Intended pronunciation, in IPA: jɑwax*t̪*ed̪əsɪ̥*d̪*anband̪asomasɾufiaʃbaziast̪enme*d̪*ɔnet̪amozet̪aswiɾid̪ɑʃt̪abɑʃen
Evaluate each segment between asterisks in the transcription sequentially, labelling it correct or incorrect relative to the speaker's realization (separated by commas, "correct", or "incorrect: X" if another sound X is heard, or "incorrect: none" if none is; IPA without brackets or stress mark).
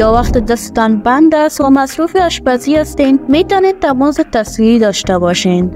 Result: correct, incorrect: t̪, incorrect: t̪